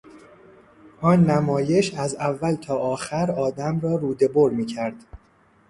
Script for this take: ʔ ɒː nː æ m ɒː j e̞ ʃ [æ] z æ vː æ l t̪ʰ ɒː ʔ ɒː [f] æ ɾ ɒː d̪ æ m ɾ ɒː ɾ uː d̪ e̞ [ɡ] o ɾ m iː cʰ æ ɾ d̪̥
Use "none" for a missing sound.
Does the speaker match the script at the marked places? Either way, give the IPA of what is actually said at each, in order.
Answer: æ, x, b

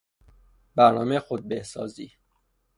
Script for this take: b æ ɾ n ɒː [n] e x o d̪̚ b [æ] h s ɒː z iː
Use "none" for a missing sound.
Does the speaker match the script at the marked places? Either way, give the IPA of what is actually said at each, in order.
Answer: m, e

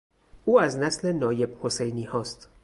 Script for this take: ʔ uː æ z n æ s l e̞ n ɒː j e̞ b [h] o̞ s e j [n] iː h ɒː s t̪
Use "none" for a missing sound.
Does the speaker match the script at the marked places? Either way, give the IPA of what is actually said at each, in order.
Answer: h, n

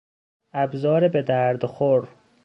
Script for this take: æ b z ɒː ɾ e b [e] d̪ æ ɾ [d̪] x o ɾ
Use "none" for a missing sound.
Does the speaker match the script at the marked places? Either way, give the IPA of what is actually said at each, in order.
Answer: e, d̪

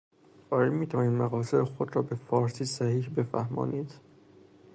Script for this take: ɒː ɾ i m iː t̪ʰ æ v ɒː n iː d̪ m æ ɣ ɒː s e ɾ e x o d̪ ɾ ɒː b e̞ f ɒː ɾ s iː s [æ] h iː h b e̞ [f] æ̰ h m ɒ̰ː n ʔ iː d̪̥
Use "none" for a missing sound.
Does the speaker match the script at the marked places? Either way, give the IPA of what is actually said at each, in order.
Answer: æ, f

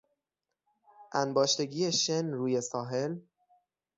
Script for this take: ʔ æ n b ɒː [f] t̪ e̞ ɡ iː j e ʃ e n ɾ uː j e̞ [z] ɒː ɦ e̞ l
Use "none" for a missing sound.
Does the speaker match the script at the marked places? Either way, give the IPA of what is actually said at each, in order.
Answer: ʃ, s

